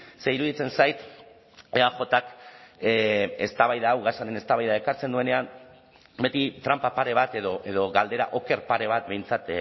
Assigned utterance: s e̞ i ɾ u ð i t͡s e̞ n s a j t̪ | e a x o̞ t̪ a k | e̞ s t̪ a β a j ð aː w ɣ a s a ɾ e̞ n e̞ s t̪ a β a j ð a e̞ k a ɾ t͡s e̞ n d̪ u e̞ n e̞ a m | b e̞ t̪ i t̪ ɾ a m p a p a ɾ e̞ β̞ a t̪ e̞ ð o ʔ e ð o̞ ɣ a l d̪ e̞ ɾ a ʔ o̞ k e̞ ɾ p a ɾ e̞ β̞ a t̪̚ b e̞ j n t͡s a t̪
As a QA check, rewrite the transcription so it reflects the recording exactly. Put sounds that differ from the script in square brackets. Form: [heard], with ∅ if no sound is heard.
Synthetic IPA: s e̞ i ɾ u ð i t͡s e̞ n s a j t̪ | e a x o̞ t̪ a k | e̞ s t̪ a β a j ð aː w ɣ a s a ɾ e̞ n e̞ s t̪ a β a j ð a e̞ k a ɾ t͡s e̞ n d̪ u e̞ n e̞ a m | b e̞ t̪ i t̪ ɾ a m p a p a ɾ e̞ β̞ a t̪ e̞ ð o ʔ e ð o̞ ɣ a l d̪ e̞ ɾ a ʔ o̞ k e̞ ɾ p a ɾ e̞ β̞ a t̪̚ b e̞ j n t͡s a t̪